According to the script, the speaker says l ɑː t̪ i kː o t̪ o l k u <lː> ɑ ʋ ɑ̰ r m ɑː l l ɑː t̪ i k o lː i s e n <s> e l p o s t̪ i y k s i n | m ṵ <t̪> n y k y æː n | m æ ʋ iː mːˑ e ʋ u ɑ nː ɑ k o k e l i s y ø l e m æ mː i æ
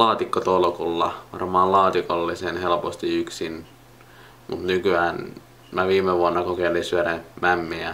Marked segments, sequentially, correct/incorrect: correct, incorrect, correct

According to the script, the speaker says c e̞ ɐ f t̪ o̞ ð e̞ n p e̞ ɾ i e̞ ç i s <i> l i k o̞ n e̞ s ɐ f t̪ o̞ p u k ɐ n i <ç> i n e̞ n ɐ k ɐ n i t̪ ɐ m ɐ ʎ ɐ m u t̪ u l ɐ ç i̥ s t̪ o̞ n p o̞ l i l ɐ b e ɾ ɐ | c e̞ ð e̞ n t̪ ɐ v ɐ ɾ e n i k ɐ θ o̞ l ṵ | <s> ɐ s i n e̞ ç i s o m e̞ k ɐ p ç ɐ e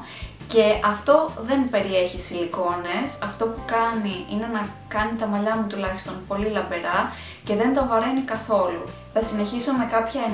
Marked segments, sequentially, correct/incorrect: correct, incorrect, incorrect

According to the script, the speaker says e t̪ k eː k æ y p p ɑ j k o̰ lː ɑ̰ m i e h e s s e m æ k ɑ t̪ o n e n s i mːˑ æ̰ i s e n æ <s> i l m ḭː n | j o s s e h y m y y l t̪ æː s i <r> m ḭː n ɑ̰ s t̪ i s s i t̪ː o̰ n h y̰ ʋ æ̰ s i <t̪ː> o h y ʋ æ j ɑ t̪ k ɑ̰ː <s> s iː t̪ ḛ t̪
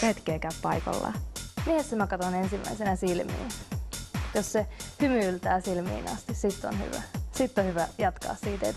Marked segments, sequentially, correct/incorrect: correct, incorrect, correct, correct

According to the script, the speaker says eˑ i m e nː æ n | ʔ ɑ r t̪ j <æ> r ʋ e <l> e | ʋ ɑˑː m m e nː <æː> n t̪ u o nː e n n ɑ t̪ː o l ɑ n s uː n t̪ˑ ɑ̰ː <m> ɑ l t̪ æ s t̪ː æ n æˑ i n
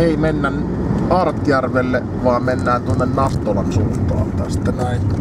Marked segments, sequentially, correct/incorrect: correct, incorrect, correct, incorrect

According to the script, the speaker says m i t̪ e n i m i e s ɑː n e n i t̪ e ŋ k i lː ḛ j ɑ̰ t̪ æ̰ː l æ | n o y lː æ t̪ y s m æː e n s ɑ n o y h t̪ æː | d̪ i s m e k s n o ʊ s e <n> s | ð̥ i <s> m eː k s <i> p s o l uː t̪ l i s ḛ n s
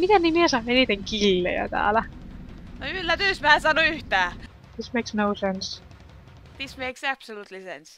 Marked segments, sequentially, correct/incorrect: correct, correct, incorrect

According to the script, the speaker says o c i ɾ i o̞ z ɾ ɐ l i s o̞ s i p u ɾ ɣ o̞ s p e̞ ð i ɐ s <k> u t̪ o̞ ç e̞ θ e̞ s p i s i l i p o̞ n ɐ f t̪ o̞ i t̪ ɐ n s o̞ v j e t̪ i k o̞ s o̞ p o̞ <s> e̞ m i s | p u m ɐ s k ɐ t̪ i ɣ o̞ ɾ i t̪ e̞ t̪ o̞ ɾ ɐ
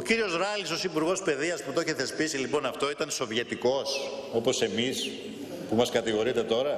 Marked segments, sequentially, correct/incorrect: incorrect, correct

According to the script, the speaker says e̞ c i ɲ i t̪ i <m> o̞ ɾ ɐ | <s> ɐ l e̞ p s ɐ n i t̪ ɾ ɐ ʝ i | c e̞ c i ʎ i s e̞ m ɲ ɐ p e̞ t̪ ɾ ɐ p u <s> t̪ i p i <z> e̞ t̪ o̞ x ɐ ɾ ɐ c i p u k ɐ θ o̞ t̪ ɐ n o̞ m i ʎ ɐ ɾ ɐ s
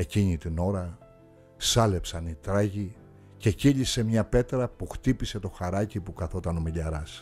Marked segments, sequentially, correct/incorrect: incorrect, correct, incorrect, incorrect

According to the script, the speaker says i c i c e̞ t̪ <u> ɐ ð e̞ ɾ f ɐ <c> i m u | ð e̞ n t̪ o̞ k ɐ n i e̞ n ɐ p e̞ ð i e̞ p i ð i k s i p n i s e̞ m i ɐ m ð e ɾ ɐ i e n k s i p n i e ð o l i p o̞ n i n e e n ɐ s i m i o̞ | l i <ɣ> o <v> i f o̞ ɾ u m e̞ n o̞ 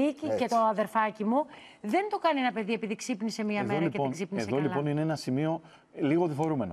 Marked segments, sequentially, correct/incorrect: incorrect, correct, correct, incorrect

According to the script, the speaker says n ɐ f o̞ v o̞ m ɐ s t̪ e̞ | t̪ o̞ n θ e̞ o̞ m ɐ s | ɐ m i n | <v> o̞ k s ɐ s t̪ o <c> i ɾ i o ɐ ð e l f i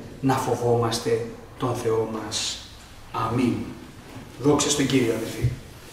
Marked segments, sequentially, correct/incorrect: incorrect, incorrect

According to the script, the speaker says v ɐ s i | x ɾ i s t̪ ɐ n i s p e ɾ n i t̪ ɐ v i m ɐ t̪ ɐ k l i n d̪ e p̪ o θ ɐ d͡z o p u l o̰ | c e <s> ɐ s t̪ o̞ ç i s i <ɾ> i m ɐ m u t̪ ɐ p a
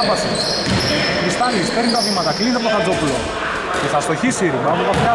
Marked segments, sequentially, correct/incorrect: incorrect, correct

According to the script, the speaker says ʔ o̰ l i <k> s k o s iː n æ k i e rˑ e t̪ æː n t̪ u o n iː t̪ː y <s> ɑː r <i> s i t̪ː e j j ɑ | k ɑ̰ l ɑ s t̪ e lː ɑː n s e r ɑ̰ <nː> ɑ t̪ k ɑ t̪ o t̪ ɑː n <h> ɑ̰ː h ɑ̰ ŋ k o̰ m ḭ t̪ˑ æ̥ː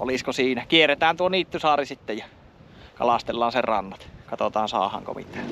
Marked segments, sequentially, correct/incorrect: incorrect, correct, correct, correct, incorrect

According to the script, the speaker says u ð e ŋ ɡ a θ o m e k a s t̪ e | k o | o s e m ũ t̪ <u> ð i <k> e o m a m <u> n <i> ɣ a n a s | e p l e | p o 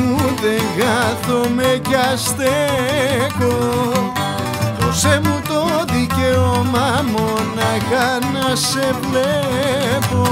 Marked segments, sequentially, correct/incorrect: incorrect, correct, incorrect, incorrect

